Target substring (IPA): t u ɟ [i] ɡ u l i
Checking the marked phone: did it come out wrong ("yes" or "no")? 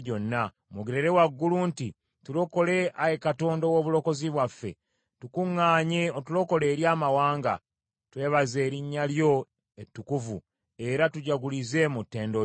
yes